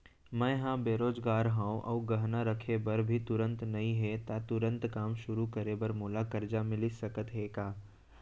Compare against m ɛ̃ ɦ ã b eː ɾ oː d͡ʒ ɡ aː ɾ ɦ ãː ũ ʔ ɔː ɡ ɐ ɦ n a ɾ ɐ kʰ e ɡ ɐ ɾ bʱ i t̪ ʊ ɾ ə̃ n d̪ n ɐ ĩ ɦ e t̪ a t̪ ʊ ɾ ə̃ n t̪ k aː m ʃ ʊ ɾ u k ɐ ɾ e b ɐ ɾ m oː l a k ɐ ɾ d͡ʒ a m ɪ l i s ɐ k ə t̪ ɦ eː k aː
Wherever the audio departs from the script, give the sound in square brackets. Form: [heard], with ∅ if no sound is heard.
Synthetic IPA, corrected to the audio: m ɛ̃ ɦ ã b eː ɾ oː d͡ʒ ɡ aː ɾ ɦ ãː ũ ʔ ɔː ɡ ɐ ɦ n a ɾ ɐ kʰ e [b] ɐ ɾ bʱ i t̪ ʊ ɾ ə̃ n [t̪] n ɐ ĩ ɦ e t̪ a t̪ ʊ ɾ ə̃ n t̪ k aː m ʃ ʊ ɾ u k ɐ ɾ e b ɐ ɾ m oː l a k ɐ ɾ d͡ʒ a m ɪ l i s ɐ k ə t̪ ɦ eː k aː